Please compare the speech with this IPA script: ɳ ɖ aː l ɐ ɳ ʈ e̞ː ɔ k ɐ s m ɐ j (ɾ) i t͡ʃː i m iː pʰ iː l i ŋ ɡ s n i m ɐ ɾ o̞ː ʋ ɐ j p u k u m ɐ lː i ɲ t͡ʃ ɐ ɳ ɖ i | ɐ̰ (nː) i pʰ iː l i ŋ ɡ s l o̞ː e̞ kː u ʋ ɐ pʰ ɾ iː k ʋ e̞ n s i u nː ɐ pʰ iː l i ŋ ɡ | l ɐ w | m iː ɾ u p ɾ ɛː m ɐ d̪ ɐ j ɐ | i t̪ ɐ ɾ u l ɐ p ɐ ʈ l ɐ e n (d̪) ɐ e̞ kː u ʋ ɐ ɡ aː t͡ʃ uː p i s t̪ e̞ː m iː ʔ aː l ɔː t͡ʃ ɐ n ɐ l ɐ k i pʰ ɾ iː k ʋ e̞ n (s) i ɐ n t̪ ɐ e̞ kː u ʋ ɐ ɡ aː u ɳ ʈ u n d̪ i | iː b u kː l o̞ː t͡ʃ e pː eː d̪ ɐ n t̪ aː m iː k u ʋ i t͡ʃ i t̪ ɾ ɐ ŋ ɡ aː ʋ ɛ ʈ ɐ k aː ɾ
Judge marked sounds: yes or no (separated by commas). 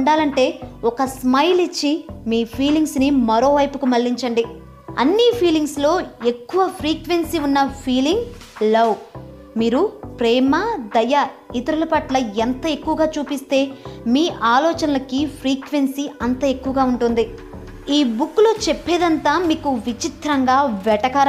no, yes, no, yes